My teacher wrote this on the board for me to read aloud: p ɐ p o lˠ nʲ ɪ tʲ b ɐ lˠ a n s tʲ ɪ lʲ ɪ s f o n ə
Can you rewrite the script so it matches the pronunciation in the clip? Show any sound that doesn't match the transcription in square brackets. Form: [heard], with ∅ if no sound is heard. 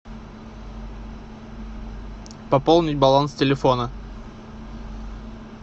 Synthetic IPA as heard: p ɐ p o lˠ nʲ ɪ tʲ b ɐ lˠ a n s tʲ ɪ lʲ ɪ [∅] f o n ə